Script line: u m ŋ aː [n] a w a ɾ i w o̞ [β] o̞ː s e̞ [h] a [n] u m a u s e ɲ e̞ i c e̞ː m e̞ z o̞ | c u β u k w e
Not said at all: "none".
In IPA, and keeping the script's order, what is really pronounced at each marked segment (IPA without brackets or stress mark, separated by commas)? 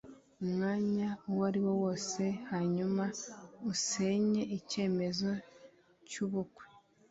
ɲ, w, h, ɲ